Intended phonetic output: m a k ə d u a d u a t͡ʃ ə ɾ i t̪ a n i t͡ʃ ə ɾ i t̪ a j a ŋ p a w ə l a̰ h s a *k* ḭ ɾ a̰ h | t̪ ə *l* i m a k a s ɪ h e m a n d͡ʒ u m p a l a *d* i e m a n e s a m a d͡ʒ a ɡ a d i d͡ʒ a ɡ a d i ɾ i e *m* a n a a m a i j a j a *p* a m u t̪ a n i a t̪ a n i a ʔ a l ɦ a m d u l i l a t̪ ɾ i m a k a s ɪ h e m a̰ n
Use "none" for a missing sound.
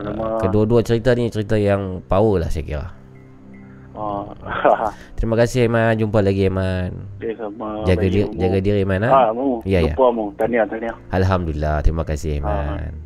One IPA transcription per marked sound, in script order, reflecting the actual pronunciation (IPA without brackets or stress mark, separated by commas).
k, ɾ, ɡ, m, p